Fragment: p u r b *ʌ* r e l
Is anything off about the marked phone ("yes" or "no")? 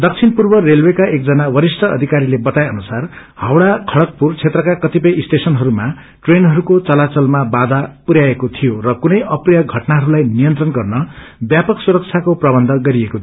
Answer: no